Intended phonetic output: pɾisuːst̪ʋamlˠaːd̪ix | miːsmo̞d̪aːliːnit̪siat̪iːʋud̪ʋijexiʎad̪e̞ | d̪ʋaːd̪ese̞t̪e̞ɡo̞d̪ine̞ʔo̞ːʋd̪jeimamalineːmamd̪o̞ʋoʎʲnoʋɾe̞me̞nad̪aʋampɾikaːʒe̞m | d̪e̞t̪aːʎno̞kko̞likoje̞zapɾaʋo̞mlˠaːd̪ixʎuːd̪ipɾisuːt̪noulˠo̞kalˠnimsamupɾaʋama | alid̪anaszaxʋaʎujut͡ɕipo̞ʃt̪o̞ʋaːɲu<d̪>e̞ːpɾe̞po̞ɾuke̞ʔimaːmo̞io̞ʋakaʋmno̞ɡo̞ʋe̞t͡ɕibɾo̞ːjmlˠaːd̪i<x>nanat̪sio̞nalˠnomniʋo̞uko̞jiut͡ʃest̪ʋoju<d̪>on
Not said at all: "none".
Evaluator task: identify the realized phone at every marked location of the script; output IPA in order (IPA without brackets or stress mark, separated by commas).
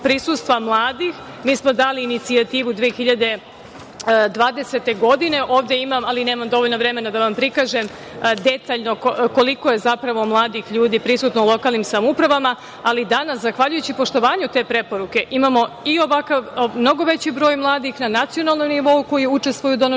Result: t̪, x, d̪